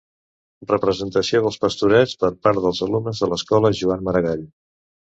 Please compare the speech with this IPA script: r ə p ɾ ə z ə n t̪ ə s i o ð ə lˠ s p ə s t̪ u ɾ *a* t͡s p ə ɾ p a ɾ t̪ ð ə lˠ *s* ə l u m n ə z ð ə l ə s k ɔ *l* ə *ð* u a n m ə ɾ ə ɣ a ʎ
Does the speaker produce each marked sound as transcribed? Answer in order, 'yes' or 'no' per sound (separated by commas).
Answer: no, no, yes, no